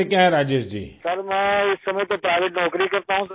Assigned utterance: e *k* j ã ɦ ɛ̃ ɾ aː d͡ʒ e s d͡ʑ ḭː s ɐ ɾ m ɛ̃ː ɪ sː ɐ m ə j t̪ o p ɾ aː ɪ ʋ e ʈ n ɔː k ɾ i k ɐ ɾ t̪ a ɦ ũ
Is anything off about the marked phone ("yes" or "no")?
no